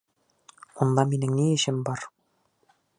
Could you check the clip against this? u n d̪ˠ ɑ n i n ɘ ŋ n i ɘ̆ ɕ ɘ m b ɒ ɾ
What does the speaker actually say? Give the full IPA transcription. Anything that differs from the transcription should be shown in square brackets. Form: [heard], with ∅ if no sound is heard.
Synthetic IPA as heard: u n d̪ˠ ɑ [m] i n ɘ ŋ n i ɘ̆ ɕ ɘ m b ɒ ɾ